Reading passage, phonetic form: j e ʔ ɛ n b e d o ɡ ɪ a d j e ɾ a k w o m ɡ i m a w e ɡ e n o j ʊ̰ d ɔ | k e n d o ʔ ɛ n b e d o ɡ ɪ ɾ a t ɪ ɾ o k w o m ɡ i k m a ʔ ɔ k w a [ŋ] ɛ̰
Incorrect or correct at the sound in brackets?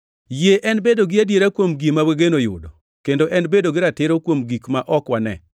incorrect: n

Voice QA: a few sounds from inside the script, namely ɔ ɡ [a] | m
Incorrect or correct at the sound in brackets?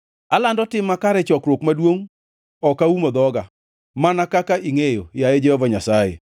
correct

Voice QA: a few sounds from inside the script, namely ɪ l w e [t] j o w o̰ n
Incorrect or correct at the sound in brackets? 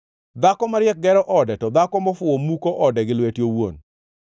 correct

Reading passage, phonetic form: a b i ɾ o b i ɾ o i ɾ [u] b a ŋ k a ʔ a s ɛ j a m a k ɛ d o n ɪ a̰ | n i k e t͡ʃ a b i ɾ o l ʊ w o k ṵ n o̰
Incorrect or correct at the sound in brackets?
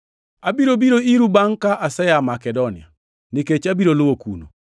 correct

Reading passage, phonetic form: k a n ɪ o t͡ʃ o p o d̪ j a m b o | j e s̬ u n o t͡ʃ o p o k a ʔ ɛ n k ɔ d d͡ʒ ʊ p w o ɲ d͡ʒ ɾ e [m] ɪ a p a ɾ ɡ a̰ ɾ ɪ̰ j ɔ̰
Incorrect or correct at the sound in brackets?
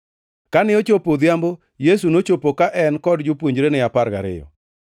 incorrect: n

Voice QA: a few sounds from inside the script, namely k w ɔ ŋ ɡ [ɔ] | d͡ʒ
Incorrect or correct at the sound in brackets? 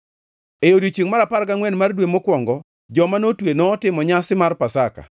correct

